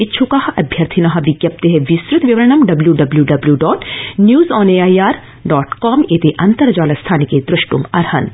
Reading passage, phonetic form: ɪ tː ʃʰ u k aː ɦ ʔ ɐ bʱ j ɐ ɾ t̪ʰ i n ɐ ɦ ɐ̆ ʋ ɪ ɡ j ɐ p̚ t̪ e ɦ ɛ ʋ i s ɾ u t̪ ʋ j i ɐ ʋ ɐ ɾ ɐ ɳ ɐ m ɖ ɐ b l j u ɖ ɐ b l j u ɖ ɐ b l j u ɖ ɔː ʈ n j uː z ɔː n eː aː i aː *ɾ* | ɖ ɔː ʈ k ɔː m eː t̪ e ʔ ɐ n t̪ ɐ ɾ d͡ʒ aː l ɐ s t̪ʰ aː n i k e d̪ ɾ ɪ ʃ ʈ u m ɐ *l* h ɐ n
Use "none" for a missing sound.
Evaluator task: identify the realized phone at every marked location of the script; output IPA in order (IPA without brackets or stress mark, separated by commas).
ɾ, ɾ